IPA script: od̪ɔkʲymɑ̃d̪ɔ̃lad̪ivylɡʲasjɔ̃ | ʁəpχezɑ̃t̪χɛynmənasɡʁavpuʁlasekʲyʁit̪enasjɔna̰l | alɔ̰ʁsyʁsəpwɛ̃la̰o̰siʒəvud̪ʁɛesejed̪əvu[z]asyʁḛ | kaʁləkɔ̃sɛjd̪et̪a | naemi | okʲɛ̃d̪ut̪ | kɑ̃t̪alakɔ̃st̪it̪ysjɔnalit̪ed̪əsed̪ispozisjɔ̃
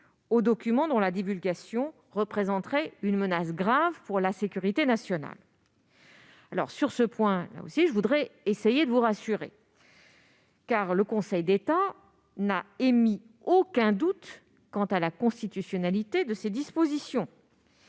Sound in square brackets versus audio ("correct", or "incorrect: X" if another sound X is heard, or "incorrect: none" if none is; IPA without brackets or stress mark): incorrect: ʁ